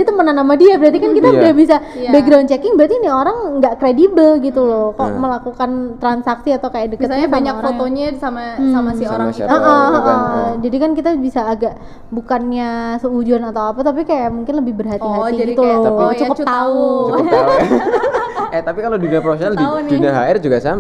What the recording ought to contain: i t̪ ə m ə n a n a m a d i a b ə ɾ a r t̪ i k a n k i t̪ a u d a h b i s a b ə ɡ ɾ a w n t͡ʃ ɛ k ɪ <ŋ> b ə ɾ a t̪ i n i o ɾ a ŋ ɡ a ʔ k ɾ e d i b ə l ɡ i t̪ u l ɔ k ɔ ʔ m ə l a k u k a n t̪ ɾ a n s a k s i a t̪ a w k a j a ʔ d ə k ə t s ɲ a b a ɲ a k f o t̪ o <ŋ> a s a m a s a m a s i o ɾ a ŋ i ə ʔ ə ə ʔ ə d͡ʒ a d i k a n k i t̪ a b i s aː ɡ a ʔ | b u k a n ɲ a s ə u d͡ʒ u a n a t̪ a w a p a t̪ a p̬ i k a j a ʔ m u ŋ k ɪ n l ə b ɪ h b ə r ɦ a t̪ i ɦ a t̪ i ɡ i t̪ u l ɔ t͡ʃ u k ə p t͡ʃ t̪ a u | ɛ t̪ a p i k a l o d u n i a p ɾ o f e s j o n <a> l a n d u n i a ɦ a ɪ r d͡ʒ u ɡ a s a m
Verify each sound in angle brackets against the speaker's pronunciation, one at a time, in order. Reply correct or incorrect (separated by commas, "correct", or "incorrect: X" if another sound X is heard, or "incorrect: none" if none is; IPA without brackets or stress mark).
correct, incorrect: ɲ, correct